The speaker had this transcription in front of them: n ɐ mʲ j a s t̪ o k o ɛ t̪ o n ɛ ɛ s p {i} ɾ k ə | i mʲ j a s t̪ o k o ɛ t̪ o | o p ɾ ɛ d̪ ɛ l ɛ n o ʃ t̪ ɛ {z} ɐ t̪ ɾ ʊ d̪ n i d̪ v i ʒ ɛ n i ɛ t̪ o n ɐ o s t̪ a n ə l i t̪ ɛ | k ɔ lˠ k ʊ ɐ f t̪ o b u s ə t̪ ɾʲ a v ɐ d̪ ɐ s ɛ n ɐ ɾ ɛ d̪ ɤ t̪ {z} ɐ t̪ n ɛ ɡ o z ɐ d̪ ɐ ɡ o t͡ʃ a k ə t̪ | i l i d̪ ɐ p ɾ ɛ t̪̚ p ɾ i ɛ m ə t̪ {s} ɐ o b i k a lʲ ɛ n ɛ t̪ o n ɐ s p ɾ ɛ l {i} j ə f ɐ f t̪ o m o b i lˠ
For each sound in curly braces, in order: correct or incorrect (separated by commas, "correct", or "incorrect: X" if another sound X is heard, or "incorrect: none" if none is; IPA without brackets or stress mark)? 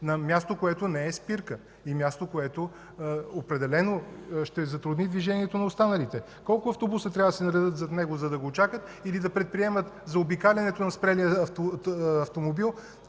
correct, correct, correct, incorrect: z, correct